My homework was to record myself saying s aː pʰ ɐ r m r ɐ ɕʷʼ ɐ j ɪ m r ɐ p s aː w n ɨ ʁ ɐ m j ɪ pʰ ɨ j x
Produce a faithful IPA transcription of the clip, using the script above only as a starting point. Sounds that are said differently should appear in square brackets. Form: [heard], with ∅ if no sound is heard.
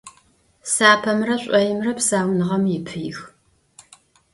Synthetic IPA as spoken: s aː pʰ ɐ [∅] m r ɐ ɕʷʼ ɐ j ɪ m r ɐ p s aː w n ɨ ʁ ɐ m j ɪ pʰ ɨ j x